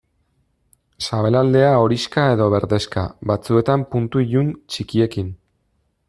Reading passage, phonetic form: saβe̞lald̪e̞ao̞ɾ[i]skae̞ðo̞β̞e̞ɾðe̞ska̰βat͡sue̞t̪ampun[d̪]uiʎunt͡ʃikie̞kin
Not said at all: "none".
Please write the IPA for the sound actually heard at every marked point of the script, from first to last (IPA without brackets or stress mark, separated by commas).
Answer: i, t̪